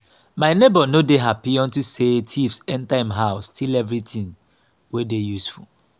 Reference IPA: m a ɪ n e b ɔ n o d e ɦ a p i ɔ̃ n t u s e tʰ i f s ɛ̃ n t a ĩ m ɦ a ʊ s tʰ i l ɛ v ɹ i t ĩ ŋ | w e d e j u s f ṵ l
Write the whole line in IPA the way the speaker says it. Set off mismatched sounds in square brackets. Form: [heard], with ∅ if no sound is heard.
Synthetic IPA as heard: m a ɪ n e b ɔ n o d e ɦ a p i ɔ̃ n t u s e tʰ i f s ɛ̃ n t a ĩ m ɦ a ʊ s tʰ i l ɛ v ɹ i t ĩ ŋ | w e d e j u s f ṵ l